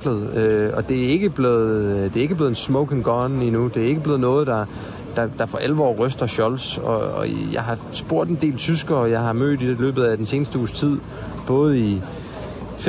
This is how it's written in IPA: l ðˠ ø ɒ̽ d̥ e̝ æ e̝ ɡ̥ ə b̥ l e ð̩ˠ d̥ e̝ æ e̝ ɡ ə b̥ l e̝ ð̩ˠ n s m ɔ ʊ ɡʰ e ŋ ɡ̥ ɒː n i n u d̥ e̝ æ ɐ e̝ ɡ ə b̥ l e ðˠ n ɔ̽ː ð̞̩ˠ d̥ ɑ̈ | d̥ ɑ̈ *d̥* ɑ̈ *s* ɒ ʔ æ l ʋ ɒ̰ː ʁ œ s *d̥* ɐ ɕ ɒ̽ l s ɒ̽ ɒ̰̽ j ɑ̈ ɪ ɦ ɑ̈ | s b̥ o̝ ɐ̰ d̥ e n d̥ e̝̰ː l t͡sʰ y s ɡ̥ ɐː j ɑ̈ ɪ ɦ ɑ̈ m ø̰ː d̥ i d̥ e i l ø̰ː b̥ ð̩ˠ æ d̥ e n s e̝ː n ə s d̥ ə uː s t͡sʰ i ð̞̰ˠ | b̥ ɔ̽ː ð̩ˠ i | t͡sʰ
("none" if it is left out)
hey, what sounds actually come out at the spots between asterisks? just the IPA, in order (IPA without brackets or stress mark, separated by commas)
d̥, f, d̥